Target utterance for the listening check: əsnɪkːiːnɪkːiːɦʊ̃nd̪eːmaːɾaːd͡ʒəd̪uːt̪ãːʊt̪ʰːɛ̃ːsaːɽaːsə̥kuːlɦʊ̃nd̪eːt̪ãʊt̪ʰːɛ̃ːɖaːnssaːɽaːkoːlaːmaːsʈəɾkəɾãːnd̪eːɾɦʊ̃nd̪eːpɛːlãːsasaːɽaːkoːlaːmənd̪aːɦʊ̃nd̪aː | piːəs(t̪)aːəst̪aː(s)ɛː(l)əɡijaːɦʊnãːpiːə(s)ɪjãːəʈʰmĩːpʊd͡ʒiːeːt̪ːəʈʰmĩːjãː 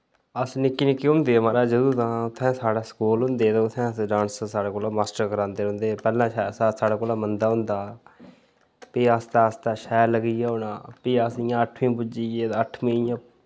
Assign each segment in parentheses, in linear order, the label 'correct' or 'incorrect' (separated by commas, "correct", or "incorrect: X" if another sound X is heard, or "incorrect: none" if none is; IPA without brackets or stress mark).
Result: correct, incorrect: ʃ, correct, correct